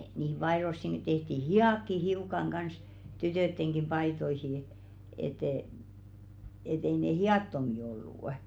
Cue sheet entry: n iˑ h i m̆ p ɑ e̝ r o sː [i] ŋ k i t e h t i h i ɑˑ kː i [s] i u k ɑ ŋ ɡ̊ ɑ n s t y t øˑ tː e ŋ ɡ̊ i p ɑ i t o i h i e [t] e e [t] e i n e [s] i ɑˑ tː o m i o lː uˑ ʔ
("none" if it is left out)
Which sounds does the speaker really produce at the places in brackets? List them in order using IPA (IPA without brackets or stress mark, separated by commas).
i, h, t, t, h